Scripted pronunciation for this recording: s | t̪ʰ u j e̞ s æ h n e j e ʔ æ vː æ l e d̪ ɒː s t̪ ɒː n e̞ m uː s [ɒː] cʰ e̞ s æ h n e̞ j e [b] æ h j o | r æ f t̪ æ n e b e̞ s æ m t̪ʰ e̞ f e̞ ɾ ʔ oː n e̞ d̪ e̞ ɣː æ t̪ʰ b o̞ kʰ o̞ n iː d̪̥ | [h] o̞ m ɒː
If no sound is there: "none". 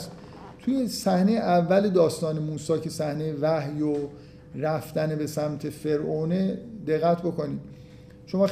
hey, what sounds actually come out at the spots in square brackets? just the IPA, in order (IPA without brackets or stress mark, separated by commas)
ɒː, v, ʃ